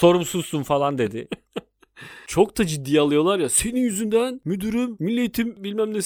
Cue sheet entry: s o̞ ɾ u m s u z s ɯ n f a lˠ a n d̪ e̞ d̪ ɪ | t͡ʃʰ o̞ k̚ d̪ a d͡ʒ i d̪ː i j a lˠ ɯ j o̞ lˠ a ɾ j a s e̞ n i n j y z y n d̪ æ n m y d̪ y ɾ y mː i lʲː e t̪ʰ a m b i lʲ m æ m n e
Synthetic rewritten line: s o̞ ɾ u m s u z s u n f a lˠ a n d̪ e̞ d̪ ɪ | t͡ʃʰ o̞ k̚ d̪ a d͡ʒ i d̪ː i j a lˠ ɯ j o̞ lˠ a ɾ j a s e̞ n i n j y z y n d̪ æ n m y d̪ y ɾ y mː i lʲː e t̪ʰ i m b i lʲ m æ m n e